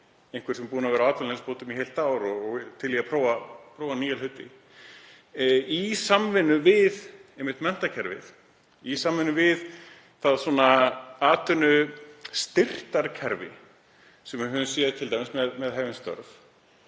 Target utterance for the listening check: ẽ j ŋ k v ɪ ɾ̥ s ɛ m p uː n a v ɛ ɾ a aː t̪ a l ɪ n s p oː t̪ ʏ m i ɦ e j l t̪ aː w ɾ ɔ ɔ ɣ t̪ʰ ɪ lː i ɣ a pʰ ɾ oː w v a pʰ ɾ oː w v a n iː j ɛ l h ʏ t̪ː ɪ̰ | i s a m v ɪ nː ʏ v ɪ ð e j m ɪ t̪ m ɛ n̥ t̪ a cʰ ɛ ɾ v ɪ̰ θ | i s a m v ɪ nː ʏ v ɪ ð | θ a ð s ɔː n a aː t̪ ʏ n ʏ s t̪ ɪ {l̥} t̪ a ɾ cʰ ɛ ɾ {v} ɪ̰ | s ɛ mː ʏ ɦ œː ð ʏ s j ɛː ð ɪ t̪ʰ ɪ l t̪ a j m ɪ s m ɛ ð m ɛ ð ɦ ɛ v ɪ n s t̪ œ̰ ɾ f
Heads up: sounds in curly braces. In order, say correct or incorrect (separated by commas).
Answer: incorrect, correct